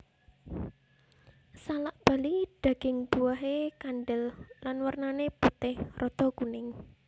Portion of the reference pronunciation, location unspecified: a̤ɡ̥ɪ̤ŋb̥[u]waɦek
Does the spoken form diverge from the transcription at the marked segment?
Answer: no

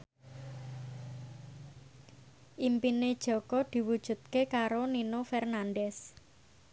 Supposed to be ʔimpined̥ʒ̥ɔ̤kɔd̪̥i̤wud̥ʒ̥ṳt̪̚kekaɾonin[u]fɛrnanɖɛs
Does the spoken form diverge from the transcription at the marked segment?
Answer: yes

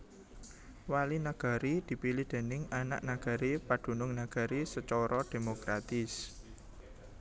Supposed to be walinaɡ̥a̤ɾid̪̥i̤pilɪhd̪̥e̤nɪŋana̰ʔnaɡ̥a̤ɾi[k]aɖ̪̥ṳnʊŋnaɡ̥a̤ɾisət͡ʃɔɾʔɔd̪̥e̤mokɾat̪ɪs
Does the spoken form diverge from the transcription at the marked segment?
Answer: yes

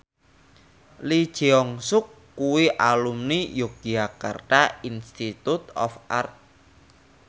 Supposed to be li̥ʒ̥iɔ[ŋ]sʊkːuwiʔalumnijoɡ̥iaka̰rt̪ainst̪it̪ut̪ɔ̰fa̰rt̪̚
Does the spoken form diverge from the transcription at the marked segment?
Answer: no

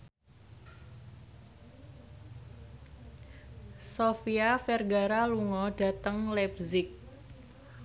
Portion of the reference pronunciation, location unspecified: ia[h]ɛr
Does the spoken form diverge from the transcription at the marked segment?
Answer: yes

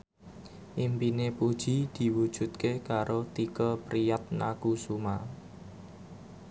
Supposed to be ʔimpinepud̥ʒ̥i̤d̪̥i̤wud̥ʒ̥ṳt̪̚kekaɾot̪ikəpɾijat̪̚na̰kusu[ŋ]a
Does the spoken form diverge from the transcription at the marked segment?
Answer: yes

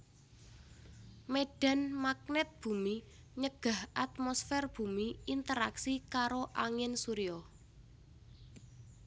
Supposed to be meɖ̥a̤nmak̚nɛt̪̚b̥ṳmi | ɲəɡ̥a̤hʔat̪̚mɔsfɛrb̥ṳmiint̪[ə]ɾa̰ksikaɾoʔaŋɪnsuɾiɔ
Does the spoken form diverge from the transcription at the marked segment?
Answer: no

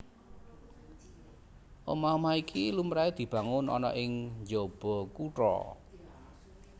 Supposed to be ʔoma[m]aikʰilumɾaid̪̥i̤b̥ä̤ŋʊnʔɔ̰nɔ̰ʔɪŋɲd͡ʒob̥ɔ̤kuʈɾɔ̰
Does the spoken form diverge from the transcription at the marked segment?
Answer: no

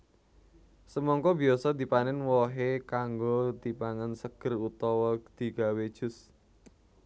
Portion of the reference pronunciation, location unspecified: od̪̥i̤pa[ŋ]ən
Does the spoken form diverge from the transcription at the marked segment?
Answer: no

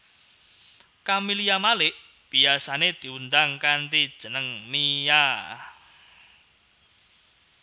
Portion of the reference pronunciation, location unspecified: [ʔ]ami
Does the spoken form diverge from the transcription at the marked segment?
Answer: yes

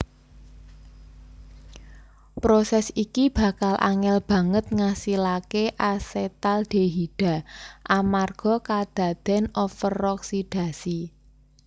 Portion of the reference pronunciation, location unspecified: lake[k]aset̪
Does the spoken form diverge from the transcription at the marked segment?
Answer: yes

